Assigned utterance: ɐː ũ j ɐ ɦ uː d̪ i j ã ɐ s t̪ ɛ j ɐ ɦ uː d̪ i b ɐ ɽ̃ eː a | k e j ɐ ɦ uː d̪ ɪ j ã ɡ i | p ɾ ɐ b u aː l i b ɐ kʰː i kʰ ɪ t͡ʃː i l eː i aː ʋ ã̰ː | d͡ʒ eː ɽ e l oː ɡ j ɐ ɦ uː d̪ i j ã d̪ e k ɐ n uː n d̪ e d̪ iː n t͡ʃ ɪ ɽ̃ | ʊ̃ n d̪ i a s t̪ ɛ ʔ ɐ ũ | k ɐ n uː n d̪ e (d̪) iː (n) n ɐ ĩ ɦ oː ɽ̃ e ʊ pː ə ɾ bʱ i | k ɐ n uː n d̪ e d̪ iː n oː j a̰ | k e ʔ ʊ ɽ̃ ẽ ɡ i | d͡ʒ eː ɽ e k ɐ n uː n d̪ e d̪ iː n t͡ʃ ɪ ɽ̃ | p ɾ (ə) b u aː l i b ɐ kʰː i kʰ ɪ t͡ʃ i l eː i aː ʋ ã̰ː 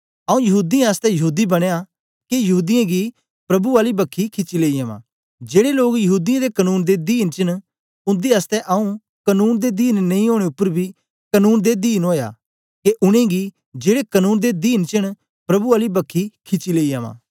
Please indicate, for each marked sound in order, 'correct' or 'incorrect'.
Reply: correct, correct, incorrect: ɐ

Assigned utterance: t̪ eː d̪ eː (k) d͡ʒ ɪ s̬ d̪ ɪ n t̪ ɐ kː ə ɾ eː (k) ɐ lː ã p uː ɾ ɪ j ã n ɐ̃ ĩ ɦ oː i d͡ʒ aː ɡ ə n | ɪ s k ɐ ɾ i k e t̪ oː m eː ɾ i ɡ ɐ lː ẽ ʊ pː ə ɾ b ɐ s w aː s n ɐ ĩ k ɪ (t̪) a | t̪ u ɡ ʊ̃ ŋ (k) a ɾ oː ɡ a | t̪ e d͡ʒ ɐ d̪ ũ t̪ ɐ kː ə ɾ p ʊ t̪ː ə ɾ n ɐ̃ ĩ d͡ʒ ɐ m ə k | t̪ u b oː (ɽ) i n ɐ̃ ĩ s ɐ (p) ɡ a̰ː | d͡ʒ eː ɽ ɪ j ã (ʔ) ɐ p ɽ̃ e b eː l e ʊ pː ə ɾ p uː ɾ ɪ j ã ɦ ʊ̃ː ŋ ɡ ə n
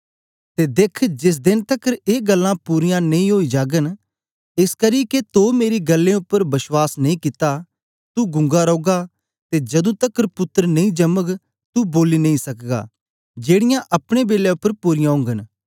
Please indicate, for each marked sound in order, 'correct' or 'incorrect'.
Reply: incorrect: kʰ, incorrect: ɡ, correct, incorrect: ɡ, incorrect: l, incorrect: k, correct

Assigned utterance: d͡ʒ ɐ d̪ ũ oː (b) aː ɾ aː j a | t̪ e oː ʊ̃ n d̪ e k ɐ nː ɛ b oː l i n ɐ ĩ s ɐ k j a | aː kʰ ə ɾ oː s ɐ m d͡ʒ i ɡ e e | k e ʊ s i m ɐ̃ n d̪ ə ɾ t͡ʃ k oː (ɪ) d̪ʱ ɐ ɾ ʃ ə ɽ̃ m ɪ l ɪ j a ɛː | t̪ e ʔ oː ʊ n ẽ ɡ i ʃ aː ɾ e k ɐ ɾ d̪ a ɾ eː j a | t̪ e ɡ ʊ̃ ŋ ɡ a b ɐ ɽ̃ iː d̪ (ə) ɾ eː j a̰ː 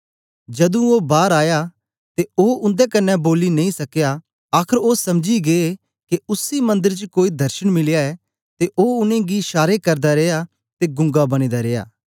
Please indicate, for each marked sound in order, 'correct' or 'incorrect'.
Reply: correct, incorrect: i, incorrect: a

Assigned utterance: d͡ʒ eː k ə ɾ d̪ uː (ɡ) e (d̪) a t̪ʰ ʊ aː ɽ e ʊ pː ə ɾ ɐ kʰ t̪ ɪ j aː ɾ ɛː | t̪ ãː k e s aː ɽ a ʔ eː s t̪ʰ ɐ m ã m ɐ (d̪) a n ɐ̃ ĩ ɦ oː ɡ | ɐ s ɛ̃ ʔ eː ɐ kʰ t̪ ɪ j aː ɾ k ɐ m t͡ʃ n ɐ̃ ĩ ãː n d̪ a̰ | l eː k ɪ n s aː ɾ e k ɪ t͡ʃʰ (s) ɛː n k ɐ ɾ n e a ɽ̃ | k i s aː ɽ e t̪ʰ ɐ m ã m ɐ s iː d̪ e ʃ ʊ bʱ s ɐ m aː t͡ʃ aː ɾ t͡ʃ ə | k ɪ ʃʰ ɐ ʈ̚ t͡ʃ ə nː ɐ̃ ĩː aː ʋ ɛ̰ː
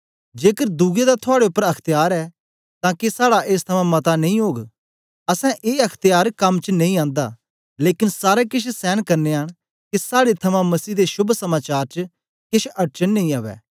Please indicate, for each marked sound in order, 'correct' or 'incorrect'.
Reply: correct, correct, incorrect: t̪, correct

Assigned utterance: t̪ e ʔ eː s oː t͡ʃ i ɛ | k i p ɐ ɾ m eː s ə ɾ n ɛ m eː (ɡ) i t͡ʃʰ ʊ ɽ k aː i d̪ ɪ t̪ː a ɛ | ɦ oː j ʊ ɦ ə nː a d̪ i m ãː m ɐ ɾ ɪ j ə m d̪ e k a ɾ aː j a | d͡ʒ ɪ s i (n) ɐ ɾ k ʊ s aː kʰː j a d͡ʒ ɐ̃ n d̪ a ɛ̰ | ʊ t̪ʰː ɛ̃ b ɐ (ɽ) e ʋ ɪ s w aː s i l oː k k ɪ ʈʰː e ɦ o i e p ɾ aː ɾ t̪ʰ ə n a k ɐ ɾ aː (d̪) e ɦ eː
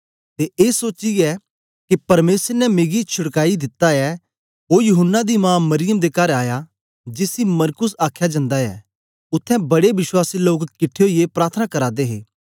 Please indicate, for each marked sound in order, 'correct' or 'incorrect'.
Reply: correct, incorrect: m, correct, correct

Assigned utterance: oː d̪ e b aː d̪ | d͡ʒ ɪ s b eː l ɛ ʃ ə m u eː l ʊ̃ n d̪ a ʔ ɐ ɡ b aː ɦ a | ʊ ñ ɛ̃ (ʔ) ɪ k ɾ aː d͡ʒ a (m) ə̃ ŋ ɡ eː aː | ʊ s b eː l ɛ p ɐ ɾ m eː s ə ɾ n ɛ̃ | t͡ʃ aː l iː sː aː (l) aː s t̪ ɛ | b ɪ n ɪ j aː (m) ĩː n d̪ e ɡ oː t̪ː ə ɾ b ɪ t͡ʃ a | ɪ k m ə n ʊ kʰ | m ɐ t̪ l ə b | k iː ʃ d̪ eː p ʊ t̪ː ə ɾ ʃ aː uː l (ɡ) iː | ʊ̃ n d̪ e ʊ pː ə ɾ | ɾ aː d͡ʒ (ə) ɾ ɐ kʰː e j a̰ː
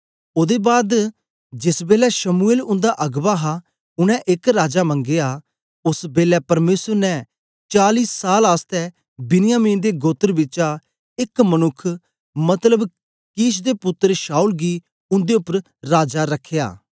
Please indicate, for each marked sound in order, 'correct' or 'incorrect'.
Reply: correct, correct, correct, correct, correct, incorrect: a

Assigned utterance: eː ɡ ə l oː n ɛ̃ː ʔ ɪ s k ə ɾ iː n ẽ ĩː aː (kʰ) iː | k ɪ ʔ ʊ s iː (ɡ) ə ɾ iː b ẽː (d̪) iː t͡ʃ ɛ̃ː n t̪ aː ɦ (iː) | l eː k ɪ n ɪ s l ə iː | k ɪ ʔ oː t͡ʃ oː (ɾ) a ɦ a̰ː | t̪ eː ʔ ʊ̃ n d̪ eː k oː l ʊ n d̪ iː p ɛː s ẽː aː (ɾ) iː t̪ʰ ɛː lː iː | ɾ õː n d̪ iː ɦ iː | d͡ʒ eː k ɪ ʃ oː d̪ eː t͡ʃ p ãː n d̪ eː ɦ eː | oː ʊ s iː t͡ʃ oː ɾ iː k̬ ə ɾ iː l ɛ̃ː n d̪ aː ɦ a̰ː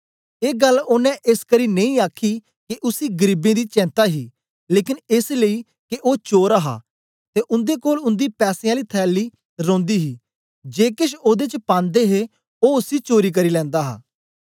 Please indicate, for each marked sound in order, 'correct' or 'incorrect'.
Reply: correct, correct, correct, correct, correct, incorrect: l

